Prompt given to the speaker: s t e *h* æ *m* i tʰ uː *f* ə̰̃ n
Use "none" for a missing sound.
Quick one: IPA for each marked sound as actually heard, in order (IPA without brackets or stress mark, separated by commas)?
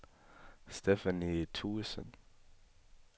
f, n, s